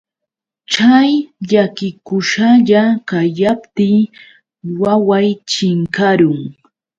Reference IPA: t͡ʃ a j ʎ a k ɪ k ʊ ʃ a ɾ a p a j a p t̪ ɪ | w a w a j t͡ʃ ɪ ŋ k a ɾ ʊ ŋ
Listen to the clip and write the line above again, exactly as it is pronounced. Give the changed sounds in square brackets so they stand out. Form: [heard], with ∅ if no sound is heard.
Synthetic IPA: t͡ʃ a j ʎ a k ɪ k ʊ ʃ a [ʎ] a [k] a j a p t̪ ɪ | w a w a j t͡ʃ ɪ ŋ k a ɾ ʊ ŋ